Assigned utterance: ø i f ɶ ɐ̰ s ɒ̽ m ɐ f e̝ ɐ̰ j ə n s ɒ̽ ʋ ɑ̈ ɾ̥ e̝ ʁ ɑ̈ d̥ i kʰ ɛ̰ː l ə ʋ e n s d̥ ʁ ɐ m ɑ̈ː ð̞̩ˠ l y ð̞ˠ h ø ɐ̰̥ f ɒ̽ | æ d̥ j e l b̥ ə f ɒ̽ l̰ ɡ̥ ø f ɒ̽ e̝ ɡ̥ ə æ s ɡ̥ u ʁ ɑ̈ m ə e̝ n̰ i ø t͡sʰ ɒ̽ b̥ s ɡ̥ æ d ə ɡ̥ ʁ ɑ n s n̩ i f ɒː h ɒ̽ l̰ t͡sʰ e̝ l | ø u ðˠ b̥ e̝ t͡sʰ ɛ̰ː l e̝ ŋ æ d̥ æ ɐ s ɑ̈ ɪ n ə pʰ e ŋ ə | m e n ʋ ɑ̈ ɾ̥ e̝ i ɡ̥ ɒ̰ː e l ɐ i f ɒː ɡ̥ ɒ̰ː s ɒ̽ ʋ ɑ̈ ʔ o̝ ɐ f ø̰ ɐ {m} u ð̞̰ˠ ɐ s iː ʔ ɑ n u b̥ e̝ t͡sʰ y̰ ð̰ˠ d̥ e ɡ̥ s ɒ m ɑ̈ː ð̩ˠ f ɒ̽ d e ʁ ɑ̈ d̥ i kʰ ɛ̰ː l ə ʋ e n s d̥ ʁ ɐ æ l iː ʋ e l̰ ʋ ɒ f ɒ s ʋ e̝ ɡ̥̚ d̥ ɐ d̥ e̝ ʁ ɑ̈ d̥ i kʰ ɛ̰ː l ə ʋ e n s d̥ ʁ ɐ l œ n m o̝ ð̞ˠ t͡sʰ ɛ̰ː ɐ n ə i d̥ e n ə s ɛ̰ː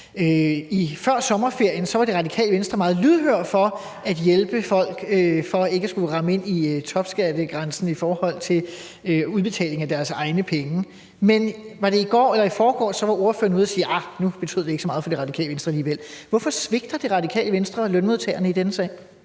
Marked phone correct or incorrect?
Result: incorrect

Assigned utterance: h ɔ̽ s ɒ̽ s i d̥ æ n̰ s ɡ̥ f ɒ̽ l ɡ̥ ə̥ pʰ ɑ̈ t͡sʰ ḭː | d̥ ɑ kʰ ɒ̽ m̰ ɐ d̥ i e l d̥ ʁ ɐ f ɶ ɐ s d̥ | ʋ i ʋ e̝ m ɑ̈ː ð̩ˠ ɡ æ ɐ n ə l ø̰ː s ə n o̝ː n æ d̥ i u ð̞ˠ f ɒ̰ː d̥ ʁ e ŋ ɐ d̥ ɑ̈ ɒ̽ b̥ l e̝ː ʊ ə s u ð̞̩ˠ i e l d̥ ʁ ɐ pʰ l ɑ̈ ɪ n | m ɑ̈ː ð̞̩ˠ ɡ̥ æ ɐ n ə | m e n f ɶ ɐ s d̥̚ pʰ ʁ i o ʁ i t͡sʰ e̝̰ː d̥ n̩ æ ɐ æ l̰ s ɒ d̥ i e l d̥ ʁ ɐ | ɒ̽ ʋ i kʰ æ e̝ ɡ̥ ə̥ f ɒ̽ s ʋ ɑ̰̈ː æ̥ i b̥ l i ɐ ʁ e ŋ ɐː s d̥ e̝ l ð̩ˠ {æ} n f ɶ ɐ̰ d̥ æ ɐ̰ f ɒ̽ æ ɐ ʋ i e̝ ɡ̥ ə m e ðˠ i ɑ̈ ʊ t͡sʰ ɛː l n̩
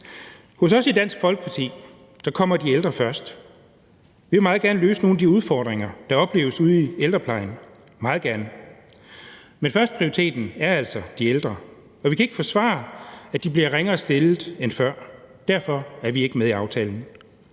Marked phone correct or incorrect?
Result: incorrect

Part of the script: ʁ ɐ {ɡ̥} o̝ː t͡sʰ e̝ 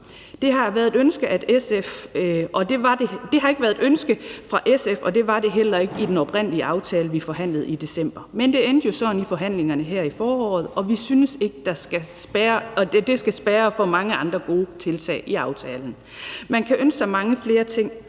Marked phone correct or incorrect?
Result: correct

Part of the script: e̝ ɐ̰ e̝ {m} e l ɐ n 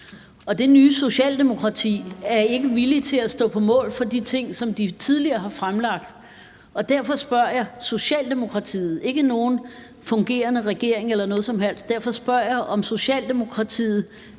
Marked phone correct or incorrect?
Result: incorrect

